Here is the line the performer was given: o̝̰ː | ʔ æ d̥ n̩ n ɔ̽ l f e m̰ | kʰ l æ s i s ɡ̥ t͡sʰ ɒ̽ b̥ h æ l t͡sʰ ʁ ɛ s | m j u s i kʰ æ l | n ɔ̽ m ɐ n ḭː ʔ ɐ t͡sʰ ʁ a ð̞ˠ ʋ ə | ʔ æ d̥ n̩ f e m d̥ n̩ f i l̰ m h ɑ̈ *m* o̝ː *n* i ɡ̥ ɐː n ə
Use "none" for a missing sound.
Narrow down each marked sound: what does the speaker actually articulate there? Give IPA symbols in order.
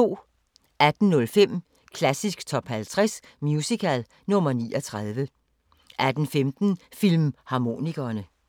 m, n

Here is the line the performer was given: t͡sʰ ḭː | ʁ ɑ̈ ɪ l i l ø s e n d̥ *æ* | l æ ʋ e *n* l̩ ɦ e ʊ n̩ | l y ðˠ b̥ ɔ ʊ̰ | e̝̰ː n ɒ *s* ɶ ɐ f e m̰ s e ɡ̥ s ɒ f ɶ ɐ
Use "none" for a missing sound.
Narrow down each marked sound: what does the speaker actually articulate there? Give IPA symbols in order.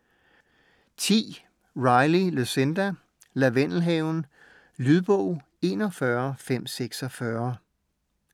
æ, n, f

